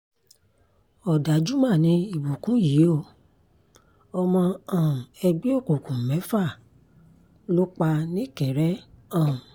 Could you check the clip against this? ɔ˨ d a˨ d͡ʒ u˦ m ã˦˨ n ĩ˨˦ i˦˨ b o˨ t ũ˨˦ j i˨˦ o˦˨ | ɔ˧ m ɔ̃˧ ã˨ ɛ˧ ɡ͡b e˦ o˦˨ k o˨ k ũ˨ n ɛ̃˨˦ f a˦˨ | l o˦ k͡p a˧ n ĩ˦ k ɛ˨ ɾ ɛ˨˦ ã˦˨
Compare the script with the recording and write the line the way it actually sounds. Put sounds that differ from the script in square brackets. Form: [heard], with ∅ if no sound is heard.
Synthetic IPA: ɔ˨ d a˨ d͡ʒ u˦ m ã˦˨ n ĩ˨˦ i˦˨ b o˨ [k] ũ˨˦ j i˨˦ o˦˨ | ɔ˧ m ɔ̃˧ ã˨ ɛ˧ ɡ͡b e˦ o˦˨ k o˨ k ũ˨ [m] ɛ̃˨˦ f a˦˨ | l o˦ k͡p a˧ n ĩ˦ k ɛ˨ ɾ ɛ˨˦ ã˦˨